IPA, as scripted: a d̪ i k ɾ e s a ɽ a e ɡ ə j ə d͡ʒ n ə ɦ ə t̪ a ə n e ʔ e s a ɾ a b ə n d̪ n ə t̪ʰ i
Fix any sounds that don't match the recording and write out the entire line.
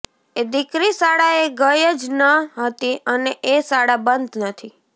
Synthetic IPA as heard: e d̪ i k ɾ i s a ɽ a e ɡ ə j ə d͡ʒ n ə ɦ ə t̪ i ə n e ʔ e s a ɽ a b ə n d̪ n ə t̪ʰ i